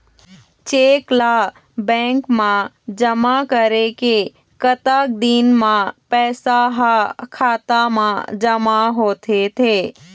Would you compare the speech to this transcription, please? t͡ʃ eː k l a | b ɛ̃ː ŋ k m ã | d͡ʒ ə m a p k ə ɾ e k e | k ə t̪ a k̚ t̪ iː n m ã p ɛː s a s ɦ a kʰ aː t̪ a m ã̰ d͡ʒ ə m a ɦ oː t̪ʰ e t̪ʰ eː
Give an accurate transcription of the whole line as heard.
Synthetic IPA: t͡ʃ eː k l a | b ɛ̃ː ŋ k m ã | d͡ʒ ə m a k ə ɾ e k e | k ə t̪ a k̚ d̪ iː n m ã p ɛː s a ɦ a kʰ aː t̪ a m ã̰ d͡ʒ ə m a ɦ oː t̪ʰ e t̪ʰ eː